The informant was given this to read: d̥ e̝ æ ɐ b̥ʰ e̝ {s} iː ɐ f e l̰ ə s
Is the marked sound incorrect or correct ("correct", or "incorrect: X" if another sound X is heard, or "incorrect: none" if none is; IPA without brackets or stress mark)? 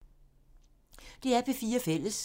incorrect: f